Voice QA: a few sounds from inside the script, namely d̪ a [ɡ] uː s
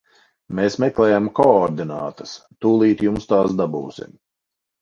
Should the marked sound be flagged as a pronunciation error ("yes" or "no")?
yes